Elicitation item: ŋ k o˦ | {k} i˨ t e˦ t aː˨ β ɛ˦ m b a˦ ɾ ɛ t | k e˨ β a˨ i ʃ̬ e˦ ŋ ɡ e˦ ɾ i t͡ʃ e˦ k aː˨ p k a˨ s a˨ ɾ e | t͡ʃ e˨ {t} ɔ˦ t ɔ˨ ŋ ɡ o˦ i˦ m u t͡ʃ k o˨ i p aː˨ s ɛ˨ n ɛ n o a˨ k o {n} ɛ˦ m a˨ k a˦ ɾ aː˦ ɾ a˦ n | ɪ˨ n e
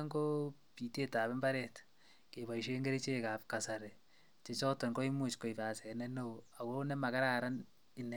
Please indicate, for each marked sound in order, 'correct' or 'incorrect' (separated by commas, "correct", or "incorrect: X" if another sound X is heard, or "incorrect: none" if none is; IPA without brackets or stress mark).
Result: incorrect: p, incorrect: t͡ʃ, correct